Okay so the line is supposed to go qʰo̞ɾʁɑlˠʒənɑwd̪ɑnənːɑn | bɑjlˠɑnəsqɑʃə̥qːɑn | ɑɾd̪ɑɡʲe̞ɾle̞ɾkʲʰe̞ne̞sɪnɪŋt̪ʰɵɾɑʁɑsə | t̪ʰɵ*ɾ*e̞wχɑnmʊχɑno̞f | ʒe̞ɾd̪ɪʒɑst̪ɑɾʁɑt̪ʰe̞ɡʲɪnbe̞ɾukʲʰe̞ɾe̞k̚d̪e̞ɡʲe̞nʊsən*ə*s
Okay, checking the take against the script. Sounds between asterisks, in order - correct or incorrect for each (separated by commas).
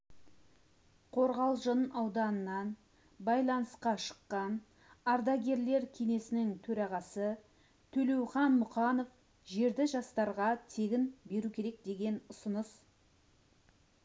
incorrect, correct